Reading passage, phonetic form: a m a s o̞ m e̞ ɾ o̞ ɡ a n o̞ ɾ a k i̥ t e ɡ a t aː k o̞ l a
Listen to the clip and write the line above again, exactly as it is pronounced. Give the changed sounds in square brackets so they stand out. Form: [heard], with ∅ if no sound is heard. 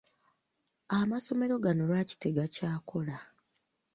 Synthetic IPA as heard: a m a s o̞ m e̞ ɾ o̞ ɡ a n o̞ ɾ a [c] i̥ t e ɡ a [c] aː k o̞ l a